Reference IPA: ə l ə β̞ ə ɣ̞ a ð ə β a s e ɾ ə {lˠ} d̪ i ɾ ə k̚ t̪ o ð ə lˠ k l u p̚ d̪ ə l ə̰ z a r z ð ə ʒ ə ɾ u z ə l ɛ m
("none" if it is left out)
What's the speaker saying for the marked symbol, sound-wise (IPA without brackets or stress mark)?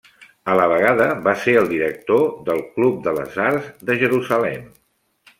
lˠ